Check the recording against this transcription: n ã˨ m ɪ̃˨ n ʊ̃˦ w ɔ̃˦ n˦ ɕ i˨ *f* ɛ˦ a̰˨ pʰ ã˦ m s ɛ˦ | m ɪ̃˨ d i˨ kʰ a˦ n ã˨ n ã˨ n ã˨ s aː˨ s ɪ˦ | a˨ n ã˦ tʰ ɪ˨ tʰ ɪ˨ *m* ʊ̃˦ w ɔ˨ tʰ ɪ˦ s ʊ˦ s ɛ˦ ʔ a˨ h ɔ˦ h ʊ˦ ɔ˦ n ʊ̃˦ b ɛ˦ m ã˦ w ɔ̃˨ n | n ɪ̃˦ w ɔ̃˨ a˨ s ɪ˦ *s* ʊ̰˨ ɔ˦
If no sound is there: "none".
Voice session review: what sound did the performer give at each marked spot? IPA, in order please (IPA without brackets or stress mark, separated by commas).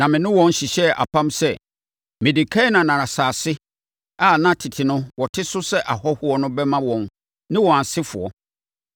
ɕ, n, f